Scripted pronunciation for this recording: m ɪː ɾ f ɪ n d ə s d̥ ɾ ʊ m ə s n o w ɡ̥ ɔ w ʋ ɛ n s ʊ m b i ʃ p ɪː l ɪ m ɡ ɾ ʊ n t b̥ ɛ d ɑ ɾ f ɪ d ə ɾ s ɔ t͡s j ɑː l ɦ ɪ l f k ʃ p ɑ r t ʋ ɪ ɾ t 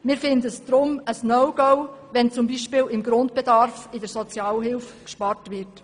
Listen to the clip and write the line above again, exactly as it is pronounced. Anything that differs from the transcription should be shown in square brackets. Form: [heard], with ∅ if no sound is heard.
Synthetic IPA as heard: m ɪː ɾ f ɪ n d ə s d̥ ɾ ʊ m ə s n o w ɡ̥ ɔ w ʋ ɛ n [t͡s] ʊ m b i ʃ p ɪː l ɪ m ɡ ɾ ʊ n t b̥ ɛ d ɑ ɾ f ɪ d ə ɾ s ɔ t͡s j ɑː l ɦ ɪ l f k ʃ p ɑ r t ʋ ɪ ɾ t

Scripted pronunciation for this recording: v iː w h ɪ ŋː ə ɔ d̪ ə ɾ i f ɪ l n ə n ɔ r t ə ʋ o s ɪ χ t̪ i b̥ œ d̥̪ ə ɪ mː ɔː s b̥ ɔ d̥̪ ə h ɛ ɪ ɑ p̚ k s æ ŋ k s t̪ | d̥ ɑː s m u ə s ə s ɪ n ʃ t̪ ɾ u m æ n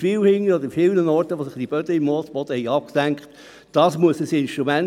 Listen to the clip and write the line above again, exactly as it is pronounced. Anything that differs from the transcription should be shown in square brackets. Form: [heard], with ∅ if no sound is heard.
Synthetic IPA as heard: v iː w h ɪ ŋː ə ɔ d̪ ə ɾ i f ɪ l n ə n ɔ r t ə ʋ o s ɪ χ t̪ i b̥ œ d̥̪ ə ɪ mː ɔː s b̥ ɔ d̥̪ ə h ɛ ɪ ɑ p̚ k s æ ŋ k [χ] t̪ | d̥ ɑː s m u ə s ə s ɪ n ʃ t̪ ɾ u m æ n

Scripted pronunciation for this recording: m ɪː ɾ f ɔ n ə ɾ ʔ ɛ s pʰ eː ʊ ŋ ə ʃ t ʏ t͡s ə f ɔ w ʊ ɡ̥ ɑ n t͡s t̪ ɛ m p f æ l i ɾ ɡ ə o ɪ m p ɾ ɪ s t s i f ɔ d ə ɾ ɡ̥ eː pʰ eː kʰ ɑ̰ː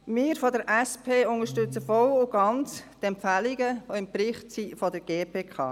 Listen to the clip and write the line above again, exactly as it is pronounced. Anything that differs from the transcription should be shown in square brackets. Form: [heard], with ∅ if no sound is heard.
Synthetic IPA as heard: m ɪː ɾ f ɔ [d] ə ɾ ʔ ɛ s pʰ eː ʊ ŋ ə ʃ t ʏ t͡s ə f ɔ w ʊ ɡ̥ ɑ n t͡s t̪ ɛ m p f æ l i [∅] ɡ ə o ɪ m p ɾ ɪ [χ] t s i f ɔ d ə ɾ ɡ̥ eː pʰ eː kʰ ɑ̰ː

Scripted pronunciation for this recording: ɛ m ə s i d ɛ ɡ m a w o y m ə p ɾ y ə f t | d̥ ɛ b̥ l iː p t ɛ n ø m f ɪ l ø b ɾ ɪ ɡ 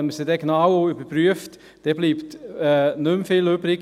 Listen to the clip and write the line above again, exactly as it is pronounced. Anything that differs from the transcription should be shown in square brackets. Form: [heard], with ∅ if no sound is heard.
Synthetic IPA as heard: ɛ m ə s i d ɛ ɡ [n] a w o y [b] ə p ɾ y ə f t | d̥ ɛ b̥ l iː p t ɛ n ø m f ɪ l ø b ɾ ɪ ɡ

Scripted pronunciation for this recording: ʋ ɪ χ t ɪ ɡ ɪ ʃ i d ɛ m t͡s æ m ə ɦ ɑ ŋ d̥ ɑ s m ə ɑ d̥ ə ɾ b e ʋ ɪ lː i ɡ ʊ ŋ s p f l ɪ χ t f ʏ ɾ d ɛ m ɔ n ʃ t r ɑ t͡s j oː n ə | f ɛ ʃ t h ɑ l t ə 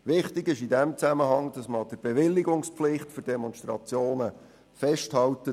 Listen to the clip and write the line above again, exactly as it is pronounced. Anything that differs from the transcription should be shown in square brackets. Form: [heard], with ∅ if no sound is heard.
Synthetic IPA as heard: ʋ ɪ χ t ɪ ɡ ɪ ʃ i d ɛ m t͡s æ m ə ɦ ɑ ŋ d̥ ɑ s m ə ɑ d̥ ə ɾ b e ʋ ɪ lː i ɡ ʊ ŋ s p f l ɪ χ t f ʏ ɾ d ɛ m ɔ n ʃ t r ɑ t͡s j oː n ə | f ɛ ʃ t h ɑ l t ə

